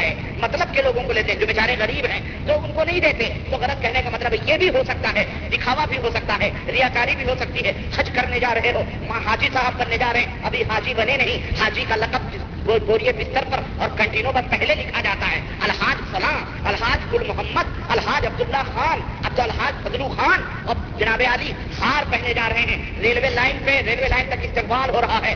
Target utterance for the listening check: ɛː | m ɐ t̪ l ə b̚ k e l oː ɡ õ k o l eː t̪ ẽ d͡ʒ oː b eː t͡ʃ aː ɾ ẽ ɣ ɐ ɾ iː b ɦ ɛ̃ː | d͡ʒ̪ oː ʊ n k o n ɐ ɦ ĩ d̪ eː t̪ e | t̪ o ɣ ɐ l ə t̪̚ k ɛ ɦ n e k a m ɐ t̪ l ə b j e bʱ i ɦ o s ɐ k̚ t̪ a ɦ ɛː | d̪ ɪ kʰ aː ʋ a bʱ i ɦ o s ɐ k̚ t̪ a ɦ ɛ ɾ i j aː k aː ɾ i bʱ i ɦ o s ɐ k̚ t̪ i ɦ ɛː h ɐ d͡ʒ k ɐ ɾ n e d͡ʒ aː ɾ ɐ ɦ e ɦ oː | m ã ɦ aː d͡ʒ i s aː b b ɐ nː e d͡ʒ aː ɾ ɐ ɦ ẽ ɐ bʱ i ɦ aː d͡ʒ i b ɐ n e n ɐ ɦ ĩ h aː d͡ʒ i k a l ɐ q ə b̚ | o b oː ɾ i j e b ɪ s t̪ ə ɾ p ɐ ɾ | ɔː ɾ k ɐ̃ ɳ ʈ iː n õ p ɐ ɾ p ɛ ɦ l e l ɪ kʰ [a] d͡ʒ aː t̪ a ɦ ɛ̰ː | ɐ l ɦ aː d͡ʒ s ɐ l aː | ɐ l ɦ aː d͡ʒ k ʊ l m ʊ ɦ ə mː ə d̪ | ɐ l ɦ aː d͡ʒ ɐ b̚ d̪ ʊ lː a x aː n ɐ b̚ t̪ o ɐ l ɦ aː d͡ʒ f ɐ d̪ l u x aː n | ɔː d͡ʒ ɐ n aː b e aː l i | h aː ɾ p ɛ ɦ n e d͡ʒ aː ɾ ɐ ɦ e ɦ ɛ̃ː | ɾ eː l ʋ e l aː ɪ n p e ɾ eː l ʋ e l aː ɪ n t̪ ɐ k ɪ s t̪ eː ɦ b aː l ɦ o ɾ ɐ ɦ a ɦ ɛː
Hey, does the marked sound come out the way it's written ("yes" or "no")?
yes